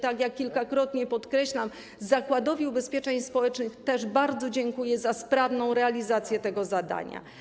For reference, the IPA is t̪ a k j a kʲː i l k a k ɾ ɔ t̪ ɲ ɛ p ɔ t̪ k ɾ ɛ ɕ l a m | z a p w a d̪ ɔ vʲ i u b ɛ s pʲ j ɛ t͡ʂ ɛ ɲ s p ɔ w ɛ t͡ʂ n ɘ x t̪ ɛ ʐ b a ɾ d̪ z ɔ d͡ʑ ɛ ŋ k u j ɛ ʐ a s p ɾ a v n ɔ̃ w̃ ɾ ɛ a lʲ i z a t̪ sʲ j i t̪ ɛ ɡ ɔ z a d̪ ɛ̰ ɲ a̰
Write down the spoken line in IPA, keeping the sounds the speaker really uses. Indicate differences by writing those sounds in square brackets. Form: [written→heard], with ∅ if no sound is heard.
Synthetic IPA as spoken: t̪ a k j a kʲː i l k a k ɾ ɔ t̪ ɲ ɛ p ɔ t̪ k ɾ ɛ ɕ l a m | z a [p→k] w a d̪ ɔ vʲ i u b ɛ s pʲ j ɛ t͡ʂ ɛ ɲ s p ɔ w ɛ t͡ʂ n ɘ x t̪ ɛ ʐ b a ɾ d̪ z ɔ d͡ʑ ɛ ŋ k u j ɛ [ʐ→z] a s p ɾ a v n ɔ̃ w̃ ɾ ɛ a lʲ i z a t̪ sʲ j [i→ɛ] t̪ ɛ ɡ ɔ z a d̪ [ɛ̰→a̰] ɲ a̰